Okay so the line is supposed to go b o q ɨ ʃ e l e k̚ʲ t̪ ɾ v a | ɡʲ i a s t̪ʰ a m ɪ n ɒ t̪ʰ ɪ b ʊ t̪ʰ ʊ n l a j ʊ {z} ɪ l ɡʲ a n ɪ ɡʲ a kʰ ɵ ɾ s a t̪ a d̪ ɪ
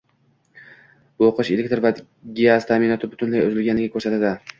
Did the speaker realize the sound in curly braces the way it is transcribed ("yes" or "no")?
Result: yes